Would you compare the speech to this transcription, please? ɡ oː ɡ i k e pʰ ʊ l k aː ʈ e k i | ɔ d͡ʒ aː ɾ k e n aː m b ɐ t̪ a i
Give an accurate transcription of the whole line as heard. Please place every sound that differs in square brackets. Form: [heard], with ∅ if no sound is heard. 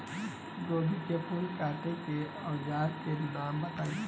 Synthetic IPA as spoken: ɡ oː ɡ i k e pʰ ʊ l k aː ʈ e k [e] | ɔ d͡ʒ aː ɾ k e n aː m b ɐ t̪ a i